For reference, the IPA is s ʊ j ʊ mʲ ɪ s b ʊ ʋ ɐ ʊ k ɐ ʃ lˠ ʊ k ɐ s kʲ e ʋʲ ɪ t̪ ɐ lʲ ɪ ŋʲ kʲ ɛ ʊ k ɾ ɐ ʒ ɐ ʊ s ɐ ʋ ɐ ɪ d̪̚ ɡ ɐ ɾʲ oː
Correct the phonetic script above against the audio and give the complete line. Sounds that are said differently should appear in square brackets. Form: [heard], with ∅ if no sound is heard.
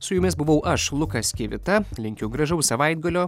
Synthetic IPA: s ʊ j ʊ mʲ ɪ s b ʊ ʋ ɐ ʊ [ʔ] ɐ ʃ lˠ ʊ k ɐ s kʲ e ʋʲ ɪ t̪ ɐ lʲ ɪ ŋʲ kʲ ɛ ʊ [ɡ] ɾ ɐ ʒ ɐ ʊ s ɐ ʋ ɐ ɪ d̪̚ ɡ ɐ [lʲ] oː